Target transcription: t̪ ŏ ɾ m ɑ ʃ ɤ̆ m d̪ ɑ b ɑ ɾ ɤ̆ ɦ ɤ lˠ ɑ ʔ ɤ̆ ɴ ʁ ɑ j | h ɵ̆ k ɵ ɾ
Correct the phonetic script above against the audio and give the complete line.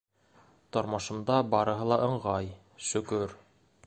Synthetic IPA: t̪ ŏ ɾ m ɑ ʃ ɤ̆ m d̪ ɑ b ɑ ɾ ɤ̆ ɦ ɤ lˠ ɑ ʔ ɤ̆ ɴ ʁ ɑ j | ʃ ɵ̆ k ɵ ɾ